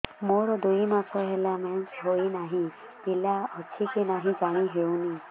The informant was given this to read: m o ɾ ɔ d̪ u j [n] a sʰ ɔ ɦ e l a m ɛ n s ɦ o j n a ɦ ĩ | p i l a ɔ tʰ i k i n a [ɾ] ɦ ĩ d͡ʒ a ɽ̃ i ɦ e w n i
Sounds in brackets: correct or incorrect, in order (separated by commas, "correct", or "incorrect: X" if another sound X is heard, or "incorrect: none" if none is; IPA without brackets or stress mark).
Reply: incorrect: m, incorrect: none